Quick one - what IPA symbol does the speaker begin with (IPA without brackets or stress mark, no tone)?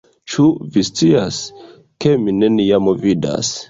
t͡ʃ